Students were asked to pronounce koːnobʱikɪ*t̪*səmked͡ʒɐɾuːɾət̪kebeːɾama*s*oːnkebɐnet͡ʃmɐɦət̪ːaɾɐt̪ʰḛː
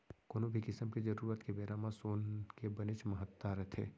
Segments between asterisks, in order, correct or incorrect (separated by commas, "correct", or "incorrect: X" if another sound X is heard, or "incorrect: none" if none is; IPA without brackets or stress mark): incorrect: none, correct